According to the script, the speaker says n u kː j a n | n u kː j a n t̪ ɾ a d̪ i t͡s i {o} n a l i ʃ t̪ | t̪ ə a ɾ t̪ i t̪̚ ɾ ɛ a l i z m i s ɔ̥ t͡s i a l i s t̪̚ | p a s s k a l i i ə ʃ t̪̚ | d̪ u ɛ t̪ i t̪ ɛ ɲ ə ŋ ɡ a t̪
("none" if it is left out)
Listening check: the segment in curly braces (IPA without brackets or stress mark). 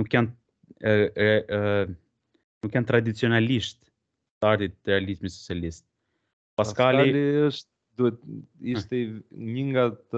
ɔ